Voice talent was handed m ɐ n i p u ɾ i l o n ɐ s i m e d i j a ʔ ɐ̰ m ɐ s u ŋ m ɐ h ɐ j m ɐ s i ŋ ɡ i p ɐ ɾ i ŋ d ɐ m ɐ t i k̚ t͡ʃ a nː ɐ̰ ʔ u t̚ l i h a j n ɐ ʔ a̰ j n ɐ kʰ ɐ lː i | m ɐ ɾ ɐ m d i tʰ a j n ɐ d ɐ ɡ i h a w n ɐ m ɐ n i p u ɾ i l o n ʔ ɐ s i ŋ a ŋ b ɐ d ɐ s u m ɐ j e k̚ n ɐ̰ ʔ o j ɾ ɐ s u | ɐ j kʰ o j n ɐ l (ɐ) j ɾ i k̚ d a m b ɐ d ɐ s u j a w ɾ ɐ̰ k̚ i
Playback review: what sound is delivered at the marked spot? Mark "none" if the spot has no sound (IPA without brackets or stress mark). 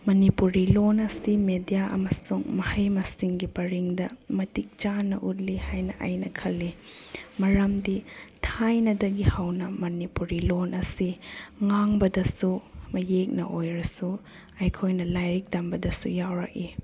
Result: a